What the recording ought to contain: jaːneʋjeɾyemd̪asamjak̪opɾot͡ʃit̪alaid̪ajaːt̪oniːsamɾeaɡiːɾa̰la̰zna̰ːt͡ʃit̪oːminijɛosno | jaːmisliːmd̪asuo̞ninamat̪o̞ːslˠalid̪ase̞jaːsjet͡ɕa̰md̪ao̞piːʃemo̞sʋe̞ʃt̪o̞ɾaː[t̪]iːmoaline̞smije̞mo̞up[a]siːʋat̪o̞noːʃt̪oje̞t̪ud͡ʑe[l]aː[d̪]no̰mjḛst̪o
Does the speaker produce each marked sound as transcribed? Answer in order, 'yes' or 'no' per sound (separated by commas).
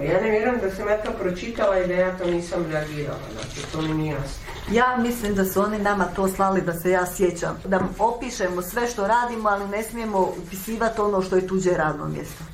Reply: no, no, no, yes